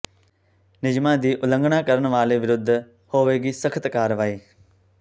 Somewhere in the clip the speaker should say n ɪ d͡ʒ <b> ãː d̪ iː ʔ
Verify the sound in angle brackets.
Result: incorrect: m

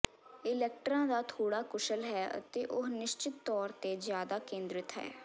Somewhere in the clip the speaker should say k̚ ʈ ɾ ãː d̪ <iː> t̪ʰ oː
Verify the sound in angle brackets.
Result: incorrect: aː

